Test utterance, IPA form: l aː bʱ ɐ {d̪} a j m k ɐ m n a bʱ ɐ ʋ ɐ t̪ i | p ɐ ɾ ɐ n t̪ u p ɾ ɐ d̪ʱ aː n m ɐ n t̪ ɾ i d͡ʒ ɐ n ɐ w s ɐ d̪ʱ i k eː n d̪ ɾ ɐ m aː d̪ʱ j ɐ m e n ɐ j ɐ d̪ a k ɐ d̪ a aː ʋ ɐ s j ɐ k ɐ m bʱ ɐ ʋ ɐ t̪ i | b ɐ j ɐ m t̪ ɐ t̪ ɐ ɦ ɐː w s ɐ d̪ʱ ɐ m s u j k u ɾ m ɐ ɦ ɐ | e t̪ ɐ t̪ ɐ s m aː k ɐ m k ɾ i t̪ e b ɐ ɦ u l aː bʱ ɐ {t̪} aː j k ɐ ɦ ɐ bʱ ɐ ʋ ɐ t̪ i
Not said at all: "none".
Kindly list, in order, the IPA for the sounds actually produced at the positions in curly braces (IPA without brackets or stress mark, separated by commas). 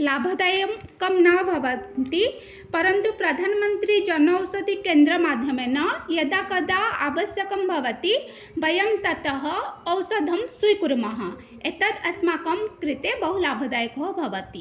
d̪, d̪